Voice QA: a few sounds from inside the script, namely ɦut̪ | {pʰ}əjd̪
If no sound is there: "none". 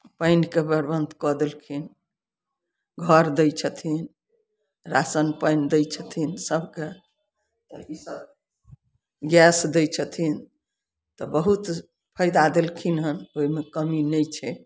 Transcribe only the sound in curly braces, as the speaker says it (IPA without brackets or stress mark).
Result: pʰ